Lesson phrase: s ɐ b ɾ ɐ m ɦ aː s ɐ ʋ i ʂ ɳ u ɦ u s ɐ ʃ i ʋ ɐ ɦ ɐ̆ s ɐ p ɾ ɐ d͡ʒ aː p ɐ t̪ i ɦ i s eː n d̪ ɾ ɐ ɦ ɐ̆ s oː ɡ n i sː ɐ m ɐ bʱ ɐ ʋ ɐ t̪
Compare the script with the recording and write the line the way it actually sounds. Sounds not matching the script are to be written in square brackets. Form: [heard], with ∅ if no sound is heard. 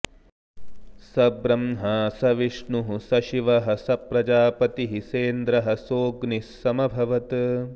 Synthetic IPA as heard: s ɐ b ɾ ɐ m ɦ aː s ɐ ʋ i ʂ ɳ u ɦ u s ɐ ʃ i ʋ ɐ ɦ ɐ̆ s ɐ p ɾ ɐ d͡ʒ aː p ɐ t̪ i ɦ i s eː n d̪ ɾ ɐ ɦ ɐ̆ s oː ɡ n i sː ɐ m ɐ bʱ ɐ ʋ ɐ t̪